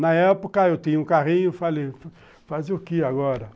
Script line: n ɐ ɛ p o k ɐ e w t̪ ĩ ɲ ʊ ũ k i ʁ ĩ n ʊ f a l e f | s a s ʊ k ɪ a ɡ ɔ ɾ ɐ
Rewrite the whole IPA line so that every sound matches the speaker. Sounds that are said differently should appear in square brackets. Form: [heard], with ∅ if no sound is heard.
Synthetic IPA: n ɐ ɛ p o k ɐ e w t̪ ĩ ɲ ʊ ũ k [a] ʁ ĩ [ɲ] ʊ f a l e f | [f] a [z] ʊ k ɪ a ɡ ɔ ɾ ɐ